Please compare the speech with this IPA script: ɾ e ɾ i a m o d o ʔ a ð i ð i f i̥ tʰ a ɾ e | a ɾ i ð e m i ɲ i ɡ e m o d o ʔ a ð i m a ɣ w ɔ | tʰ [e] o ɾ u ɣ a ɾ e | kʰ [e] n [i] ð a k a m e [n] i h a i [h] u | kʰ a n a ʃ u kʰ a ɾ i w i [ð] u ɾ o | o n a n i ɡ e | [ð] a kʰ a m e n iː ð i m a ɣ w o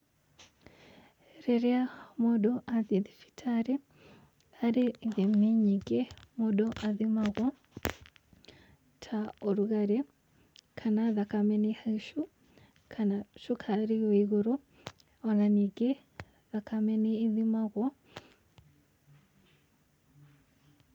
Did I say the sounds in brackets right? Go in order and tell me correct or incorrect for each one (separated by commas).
incorrect, incorrect, incorrect, correct, incorrect, incorrect, correct